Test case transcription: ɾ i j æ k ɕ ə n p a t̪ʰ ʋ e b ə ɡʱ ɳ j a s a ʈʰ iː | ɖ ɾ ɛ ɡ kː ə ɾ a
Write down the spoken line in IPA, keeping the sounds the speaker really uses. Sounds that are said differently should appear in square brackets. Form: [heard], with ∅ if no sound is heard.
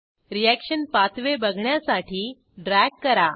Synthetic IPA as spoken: ɾ i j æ k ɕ ə n p a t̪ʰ ʋ e b ə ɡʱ ɳ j a s a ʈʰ iː | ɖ ɾ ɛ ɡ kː ə ɾ a